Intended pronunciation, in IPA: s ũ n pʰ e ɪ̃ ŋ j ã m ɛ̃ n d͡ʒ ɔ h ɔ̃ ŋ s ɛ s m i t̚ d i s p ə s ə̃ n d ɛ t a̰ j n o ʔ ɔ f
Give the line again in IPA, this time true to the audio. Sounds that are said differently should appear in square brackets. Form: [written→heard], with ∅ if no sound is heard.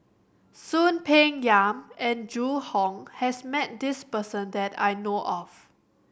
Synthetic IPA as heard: s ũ n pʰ e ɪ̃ ŋ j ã m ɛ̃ n d͡ʒ [ɔ→u] h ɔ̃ ŋ [s→h] ɛ s m [i→ɛ] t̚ d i s p ə s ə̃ n d ɛ t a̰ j n o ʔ ɔ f

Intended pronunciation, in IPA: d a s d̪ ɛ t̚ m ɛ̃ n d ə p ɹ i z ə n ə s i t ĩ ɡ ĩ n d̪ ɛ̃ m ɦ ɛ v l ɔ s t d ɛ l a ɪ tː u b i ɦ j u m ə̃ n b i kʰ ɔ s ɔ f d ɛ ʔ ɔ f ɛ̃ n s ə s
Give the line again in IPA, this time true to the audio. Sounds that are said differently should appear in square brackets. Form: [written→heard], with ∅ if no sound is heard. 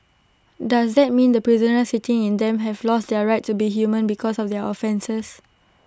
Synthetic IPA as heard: d a s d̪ ɛ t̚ m [ɛ̃→ĩ] n d ə p ɹ i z ə n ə s i t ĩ [ɡ→ŋ] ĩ n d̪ ɛ̃ m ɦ ɛ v l ɔ s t d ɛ [l→ɹ] a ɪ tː u b i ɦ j u m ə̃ n b i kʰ ɔ s ɔ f d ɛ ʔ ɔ f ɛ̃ n s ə s

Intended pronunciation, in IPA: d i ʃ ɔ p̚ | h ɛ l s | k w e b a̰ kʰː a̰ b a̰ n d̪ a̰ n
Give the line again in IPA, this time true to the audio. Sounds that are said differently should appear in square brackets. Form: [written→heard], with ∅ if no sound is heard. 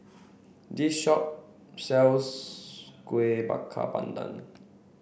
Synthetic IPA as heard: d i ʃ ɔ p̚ | [h→s] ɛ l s | k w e b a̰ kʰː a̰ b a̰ n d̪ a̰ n

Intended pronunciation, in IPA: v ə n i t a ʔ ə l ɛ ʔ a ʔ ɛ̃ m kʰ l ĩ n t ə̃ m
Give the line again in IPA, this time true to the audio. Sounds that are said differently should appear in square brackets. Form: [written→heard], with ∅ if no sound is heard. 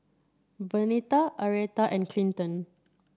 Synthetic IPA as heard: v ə n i t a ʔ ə [l→ɹ] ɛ [ʔ→t] a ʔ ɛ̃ [m→n] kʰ l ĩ n t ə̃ [m→n]

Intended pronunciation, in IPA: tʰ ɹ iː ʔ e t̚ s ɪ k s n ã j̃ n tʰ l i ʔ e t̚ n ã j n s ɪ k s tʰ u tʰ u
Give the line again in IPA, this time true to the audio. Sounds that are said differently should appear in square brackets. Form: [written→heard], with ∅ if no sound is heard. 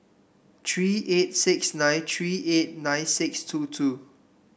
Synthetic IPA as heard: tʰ ɹ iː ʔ e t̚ s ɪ k s n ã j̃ n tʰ [l→ɹ] i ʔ e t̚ n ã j n s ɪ k s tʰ u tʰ u

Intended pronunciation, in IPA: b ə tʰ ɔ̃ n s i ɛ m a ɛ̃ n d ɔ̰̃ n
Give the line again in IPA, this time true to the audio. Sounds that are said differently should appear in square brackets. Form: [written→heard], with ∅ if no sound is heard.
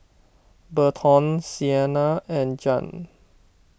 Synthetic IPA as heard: b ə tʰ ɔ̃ n s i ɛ [m→n] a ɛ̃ n [d→d͡ʒ] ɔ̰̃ n

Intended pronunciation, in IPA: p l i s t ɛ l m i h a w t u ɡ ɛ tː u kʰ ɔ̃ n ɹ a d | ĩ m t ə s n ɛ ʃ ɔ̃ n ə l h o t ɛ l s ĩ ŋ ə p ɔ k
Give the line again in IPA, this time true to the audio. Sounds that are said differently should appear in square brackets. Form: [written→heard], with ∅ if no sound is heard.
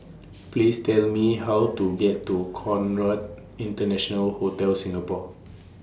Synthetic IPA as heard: p l i s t ɛ l m i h a w t u ɡ ɛ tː u kʰ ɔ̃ n ɹ a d | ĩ [m→n] t ə [s→∅] n ɛ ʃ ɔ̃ n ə l h o t ɛ l s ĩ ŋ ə p ɔ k

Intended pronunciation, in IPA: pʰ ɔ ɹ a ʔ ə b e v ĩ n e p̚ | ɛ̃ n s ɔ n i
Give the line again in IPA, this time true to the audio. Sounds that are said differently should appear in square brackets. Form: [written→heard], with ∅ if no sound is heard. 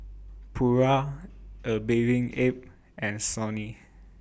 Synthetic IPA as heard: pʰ [ɔ→u] ɹ a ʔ ə b e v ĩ [n→ŋ] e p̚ | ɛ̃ n s ɔ n i

